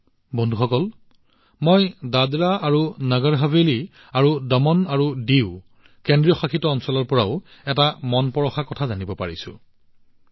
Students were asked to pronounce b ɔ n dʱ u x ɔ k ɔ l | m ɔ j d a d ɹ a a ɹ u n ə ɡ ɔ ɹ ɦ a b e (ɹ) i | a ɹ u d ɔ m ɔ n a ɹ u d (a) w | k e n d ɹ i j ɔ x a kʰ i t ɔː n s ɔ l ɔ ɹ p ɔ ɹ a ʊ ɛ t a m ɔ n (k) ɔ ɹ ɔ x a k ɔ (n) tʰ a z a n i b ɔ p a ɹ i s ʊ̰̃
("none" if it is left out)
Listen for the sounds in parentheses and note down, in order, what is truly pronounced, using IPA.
l, i, p, none

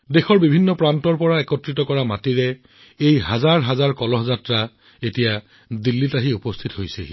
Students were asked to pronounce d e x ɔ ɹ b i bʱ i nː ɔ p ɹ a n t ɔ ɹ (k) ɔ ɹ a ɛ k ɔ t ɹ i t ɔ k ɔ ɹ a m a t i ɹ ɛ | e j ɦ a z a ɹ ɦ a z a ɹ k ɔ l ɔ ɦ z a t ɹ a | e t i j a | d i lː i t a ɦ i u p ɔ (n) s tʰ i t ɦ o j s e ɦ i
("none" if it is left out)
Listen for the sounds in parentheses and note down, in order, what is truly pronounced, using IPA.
p, none

